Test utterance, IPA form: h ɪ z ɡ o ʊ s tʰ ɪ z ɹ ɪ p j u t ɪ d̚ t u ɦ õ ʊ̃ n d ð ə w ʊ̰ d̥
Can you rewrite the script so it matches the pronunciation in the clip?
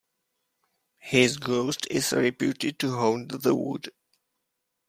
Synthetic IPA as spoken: h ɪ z ɡ o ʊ s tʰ ɪ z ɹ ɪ p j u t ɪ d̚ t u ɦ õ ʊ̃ n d ð ə w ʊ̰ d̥